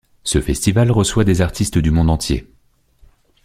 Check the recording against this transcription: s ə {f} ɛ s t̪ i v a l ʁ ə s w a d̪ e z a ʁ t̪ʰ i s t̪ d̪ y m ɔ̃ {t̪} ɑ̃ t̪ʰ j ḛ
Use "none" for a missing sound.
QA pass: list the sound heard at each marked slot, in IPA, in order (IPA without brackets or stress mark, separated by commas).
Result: f, d̪